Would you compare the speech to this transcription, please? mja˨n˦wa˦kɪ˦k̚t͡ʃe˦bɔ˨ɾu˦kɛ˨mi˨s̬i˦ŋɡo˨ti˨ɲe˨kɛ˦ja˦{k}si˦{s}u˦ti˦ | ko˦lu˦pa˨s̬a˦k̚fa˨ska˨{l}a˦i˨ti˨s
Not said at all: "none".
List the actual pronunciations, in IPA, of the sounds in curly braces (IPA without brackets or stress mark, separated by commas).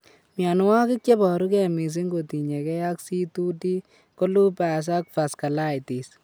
k, t, l